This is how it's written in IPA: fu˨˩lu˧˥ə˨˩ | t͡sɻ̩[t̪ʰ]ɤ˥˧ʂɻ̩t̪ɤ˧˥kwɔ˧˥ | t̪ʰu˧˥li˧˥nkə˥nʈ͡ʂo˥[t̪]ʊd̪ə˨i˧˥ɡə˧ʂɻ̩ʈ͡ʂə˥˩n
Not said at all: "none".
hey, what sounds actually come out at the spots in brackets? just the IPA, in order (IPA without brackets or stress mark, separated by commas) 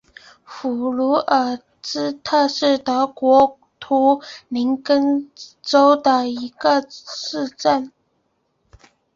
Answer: t̪ʰ, none